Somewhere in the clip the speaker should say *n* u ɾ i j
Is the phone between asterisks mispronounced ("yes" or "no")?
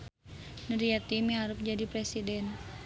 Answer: no